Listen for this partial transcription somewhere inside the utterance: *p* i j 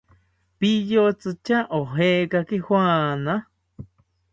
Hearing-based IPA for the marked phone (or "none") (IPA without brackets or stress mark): p